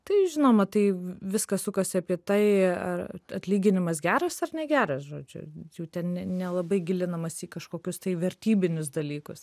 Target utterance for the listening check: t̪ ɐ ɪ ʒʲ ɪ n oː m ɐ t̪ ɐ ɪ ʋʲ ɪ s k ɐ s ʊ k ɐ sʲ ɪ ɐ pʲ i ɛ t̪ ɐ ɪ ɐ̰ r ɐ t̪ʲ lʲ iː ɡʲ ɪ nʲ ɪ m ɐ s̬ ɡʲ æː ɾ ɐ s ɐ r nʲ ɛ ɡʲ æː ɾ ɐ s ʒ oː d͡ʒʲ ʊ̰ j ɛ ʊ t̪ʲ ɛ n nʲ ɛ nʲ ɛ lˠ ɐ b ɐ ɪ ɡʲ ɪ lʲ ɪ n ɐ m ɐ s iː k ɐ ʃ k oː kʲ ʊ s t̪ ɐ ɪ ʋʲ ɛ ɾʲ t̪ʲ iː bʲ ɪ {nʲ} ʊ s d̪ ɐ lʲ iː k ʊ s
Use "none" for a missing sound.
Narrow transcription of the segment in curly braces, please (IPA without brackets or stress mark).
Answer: nʲ